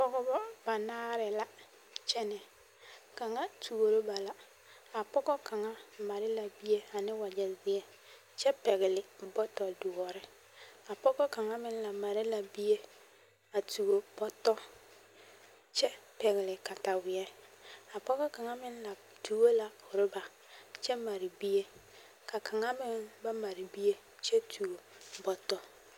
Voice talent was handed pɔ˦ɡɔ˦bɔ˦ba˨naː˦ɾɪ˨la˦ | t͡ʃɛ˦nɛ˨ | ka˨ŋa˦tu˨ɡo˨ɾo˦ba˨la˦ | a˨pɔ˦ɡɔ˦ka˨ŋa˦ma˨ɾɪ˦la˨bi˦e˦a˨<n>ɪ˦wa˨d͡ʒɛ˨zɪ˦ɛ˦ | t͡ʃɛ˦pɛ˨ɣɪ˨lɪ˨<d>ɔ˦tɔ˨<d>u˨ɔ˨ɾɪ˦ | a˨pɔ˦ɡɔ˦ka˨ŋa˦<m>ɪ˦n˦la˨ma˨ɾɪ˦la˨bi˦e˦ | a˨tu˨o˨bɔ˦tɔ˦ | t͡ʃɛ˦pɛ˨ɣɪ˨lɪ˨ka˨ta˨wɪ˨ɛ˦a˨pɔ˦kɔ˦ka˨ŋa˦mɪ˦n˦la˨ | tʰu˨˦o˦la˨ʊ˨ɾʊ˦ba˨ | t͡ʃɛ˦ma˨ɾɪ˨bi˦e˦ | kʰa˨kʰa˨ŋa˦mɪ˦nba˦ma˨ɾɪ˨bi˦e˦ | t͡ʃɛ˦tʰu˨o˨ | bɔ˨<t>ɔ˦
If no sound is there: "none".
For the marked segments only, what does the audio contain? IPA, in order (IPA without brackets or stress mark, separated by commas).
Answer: n, b, d, m, t